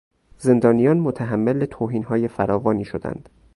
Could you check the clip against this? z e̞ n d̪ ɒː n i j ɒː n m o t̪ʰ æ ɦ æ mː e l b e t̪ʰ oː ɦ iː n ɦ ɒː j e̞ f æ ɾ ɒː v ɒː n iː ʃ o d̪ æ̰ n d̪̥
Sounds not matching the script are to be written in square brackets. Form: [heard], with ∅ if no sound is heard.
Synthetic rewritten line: z e̞ n d̪ ɒː n i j ɒː n m o t̪ʰ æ ɦ æ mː e l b e t̪ʰ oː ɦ iː n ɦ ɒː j e̞ f æ ɾ ɒː v ɒː n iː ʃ o d̪ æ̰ n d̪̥

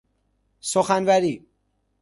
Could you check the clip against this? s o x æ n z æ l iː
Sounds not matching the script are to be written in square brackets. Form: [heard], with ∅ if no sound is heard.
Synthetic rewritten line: s o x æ n [v] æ [ɾ] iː

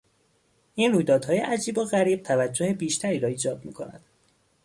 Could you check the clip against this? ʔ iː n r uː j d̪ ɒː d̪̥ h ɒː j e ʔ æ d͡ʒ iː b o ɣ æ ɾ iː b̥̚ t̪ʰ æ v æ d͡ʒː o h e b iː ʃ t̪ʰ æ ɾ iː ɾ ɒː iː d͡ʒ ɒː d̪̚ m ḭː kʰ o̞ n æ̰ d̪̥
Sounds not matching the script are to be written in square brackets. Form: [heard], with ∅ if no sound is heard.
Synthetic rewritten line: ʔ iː n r uː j d̪ ɒː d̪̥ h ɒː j e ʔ æ d͡ʒ iː b o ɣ æ ɾ iː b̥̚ t̪ʰ æ v æ d͡ʒː o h e b iː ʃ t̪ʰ æ ɾ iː ɾ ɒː iː d͡ʒ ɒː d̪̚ m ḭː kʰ o̞ n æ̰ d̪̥

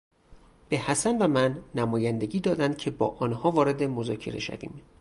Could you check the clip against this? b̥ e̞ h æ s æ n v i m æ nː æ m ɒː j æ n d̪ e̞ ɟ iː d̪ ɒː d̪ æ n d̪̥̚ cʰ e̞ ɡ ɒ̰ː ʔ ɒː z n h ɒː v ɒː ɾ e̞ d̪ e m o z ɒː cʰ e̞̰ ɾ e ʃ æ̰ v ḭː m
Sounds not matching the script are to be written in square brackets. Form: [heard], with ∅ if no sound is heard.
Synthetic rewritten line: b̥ e̞ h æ s æ n v [æ] m æ nː æ m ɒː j æ n d̪ e̞ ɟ iː d̪ ɒː d̪ æ n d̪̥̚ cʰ e̞ [b] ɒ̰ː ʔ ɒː [∅] n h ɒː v ɒː ɾ e̞ d̪ e m o z ɒː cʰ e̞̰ ɾ e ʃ æ̰ v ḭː m

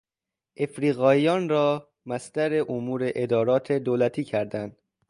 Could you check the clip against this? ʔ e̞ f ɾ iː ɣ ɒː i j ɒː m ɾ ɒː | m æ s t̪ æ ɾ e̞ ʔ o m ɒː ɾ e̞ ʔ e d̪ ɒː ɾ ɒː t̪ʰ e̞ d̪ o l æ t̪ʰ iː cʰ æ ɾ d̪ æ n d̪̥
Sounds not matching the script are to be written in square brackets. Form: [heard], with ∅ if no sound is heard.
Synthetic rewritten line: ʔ e̞ f ɾ iː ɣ ɒː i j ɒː [n] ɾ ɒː | m æ s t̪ æ ɾ e̞ ʔ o m [uː] ɾ e̞ ʔ e d̪ ɒː ɾ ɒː t̪ʰ e̞ d̪ o l æ t̪ʰ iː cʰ æ ɾ d̪ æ n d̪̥

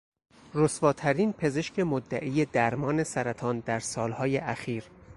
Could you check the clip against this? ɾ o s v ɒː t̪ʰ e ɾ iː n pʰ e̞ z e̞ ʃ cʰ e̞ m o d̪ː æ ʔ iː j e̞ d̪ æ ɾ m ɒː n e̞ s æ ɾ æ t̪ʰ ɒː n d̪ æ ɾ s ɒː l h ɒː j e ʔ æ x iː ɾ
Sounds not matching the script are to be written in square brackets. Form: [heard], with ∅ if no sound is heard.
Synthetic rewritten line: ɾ o s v ɒː t̪ʰ [æ] ɾ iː n pʰ e̞ z e̞ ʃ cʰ e̞ m o d̪ː æ ʔ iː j e̞ d̪ æ ɾ m ɒː n e̞ s æ ɾ æ t̪ʰ ɒː n d̪ æ ɾ s ɒː l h ɒː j e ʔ æ x iː ɾ

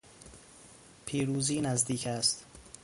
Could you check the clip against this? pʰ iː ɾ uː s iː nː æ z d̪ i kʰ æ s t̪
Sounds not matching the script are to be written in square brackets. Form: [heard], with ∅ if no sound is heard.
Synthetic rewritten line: pʰ iː ɾ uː [z] iː [n] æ z d̪ [iː] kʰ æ s t̪

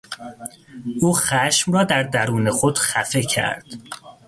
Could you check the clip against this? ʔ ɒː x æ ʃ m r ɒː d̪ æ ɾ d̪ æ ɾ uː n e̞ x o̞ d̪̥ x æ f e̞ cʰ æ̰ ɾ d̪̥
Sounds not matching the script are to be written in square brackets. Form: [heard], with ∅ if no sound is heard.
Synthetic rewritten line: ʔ [uː] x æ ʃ m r ɒː d̪ æ ɾ d̪ æ ɾ uː n e̞ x o̞ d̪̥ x æ f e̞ cʰ æ̰ ɾ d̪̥

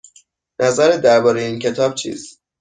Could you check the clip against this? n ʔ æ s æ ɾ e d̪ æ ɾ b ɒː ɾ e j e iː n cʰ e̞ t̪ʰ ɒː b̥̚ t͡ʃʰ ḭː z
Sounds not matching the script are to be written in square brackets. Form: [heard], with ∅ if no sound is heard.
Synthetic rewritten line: n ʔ æ [z] æ ɾ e d̪ æ ɾ b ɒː ɾ e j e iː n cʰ e̞ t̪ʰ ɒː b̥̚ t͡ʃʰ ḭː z

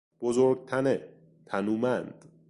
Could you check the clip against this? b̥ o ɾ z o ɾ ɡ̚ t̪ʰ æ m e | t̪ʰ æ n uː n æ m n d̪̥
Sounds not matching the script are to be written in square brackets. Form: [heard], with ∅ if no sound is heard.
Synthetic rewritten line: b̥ o [∅] z o ɾ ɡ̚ t̪ʰ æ [n] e | t̪ʰ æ n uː [m] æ [∅] n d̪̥

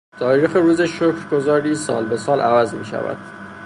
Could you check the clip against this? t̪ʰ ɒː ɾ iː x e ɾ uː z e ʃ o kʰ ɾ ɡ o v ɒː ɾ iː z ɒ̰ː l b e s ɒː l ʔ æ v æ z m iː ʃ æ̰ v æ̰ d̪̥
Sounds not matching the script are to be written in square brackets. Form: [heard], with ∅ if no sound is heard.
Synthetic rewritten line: t̪ʰ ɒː ɾ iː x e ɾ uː z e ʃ o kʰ ɾ ɡ o [z] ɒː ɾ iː [s] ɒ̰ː l b e s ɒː l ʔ æ v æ z m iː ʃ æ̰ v æ̰ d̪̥

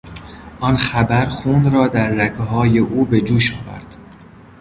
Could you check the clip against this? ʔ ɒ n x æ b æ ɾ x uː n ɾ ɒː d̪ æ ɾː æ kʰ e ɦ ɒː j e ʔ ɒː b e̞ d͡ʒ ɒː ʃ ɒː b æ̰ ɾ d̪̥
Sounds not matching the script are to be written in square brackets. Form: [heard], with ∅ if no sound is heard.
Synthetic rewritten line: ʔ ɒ n x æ b æ ɾ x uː n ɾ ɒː d̪ æ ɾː æ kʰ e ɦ ɒː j e ʔ [uː] b e̞ d͡ʒ [uː] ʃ ɒː [v] æ̰ ɾ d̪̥

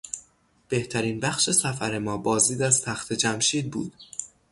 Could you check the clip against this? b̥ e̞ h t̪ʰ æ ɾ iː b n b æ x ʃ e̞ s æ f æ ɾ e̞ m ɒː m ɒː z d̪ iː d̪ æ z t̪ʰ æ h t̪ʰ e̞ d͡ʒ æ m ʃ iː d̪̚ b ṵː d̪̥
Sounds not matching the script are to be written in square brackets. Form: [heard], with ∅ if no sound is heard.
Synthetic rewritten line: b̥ e̞ h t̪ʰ æ ɾ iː [∅] n b æ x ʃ e̞ s æ f æ ɾ e̞ m ɒː [b] ɒː z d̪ iː d̪ æ z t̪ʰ æ [x] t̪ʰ e̞ d͡ʒ æ m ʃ iː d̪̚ b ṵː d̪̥

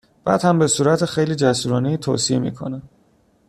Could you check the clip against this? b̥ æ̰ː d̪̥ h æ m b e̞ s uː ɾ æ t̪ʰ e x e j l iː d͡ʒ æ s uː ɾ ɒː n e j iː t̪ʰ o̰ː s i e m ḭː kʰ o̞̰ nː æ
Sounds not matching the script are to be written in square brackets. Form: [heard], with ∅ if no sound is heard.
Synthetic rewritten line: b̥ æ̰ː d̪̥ h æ m b e̞ s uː ɾ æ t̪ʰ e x e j l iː d͡ʒ æ s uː ɾ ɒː n e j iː t̪ʰ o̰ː s i e m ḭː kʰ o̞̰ [n] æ

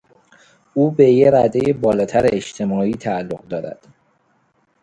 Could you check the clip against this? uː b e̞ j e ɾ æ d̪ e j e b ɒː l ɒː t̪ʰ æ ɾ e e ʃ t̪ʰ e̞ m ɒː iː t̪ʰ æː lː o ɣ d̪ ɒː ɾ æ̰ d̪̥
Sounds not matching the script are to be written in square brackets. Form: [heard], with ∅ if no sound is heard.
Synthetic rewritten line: uː b e̞ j e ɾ æ d̪ e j e b ɒː l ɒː t̪ʰ æ ɾ e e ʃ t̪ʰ e̞ m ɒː iː t̪ʰ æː lː o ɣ d̪ ɒː ɾ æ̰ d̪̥

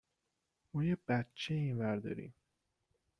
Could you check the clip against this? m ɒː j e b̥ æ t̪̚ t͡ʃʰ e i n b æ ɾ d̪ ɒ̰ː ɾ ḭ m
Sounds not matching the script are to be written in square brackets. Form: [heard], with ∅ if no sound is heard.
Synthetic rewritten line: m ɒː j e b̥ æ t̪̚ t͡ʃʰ e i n [v] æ ɾ d̪ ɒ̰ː ɾ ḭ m

